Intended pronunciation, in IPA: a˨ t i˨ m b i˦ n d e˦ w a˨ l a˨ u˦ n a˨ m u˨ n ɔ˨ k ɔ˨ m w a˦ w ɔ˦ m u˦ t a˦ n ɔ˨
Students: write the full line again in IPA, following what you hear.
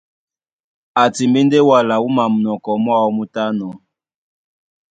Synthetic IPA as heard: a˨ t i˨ m b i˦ n d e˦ w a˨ l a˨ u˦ m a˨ m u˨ n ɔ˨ k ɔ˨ m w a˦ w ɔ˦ m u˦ t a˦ n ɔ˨